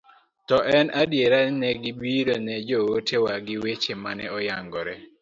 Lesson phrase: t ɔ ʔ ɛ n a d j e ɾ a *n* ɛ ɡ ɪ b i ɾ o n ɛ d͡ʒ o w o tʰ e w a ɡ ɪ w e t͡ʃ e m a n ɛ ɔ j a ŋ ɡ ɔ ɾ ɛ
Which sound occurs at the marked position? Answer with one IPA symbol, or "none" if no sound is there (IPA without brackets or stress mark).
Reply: n